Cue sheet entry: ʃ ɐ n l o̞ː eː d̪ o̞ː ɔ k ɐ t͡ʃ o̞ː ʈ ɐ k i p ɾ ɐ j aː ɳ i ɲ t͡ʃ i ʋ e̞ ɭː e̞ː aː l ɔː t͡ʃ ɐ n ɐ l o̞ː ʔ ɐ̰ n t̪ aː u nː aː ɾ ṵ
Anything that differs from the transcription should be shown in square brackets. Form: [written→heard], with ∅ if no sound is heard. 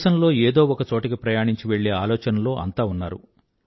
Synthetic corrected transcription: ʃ ɐ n l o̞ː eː d̪ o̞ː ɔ k ɐ t͡ʃ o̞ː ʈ ɐ k i p ɾ ɐ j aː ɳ i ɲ t͡ʃ i ʋ e̞ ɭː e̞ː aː l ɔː t͡ʃ ɐ n ɐ l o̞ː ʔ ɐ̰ n t̪ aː u nː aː ɾ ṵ